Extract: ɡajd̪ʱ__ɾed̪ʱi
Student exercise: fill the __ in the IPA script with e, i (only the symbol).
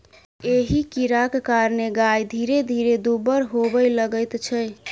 i